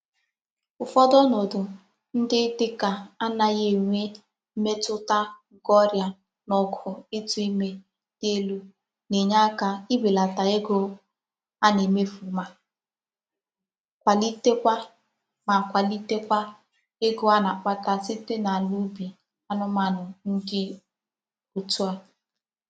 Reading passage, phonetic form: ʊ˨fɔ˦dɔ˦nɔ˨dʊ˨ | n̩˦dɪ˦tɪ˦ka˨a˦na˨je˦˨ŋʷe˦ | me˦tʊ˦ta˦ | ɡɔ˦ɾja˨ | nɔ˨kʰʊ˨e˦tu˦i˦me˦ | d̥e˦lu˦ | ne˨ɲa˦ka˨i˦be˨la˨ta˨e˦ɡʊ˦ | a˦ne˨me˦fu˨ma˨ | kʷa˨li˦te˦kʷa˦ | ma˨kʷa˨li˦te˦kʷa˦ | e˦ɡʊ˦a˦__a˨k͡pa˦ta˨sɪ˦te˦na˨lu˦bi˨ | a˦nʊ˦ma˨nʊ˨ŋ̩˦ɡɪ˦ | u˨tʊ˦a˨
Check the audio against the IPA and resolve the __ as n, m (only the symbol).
n